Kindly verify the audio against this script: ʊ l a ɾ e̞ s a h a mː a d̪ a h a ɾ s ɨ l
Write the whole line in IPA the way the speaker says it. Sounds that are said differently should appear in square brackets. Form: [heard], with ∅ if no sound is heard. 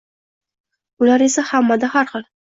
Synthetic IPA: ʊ l a ɾ e̞ s a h a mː a d̪ a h a ɾ [χ] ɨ l